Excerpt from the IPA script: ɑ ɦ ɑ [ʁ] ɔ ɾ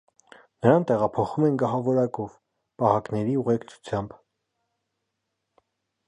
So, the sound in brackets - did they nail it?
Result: no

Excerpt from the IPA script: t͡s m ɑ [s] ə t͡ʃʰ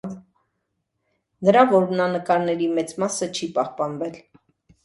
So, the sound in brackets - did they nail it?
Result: yes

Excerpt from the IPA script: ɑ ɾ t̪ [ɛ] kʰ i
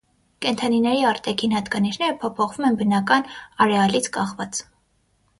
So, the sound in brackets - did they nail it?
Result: yes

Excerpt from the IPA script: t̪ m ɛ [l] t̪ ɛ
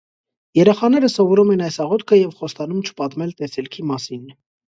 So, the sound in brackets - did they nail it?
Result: yes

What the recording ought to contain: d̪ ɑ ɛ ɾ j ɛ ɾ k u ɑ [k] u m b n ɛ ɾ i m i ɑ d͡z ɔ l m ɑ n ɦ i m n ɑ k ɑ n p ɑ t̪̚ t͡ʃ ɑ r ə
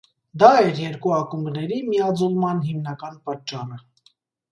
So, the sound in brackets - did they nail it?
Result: yes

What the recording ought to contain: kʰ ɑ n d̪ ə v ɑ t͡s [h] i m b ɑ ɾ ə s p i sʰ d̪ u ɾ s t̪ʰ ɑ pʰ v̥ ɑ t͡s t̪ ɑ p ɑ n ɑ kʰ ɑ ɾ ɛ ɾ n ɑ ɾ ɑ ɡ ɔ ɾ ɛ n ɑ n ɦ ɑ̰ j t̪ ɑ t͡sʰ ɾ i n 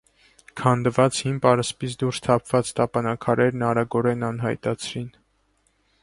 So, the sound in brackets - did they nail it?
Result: yes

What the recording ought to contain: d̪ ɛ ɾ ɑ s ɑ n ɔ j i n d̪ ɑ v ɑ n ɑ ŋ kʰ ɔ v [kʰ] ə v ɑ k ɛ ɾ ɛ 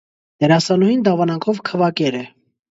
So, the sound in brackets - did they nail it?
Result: yes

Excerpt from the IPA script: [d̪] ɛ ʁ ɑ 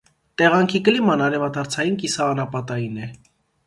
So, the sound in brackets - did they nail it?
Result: no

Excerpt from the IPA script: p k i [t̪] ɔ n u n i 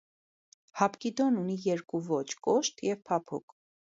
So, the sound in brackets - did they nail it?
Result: no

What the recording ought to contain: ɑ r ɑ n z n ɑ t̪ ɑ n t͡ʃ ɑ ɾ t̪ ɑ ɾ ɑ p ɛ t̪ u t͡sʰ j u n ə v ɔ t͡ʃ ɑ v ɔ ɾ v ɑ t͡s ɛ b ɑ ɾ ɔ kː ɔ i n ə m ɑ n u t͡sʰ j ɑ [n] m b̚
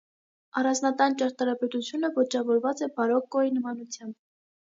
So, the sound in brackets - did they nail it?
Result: no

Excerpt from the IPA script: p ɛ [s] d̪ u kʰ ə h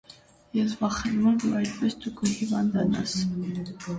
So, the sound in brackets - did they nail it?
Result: yes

